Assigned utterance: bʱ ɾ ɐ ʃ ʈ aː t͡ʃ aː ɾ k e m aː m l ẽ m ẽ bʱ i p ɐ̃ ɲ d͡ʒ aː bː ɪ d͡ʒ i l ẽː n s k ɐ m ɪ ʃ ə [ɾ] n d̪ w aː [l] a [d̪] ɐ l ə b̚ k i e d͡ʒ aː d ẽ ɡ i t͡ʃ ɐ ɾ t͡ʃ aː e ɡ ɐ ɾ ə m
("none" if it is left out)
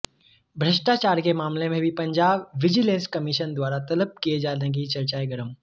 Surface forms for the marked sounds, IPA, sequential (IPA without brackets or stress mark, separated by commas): none, ɾ, t̪